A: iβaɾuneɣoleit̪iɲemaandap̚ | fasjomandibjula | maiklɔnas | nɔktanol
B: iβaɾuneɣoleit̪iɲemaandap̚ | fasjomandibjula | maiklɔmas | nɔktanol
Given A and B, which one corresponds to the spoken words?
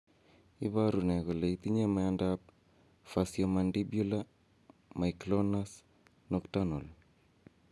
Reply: A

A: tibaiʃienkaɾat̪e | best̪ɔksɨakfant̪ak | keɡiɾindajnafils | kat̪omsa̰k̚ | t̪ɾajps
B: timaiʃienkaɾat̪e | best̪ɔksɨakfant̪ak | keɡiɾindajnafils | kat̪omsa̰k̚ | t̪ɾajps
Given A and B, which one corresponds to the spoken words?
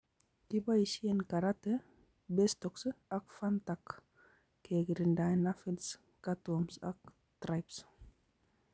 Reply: A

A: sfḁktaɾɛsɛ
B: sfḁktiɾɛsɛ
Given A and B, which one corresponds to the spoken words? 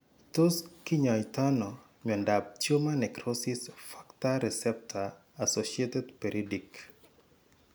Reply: A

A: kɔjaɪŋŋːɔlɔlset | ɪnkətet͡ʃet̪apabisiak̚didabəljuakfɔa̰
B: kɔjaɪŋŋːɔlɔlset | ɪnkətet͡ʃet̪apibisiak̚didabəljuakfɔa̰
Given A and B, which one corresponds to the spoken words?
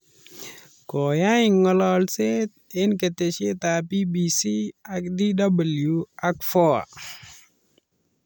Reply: B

